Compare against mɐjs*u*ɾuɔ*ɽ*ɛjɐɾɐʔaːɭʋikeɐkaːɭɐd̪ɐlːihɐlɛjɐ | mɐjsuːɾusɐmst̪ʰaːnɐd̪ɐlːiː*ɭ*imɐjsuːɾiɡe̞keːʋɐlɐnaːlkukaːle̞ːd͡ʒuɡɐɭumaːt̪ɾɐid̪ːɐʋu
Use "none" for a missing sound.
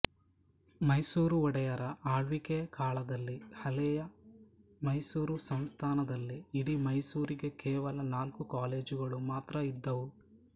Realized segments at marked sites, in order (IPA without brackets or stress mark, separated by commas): uː, ɽ, ɽ